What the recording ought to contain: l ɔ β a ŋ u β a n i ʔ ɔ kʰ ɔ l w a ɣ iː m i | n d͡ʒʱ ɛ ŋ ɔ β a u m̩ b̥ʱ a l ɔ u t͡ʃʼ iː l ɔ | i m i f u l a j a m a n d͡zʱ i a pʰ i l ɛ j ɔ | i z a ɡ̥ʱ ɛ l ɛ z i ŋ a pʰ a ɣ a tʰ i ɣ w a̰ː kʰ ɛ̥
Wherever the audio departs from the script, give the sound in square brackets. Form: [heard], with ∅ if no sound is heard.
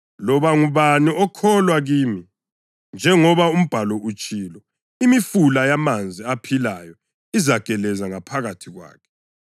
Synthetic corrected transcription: l ɔ β a ŋ u β a n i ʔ ɔ kʰ ɔ l w a ɣ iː m i | n d͡ʒʱ ɛ ŋ ɔ β a u m̩ b̥ʱ a l ɔ u t͡ʃʼ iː l ɔ | i m i f u l a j a m a n d͡zʱ i a pʰ i l [a] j ɔ | i z a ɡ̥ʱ ɛ l ɛ z [a] ŋ a pʰ a ɣ a tʰ i ɣ w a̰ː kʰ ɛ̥